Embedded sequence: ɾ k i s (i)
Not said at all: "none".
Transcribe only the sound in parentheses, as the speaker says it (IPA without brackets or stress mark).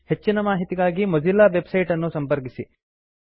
i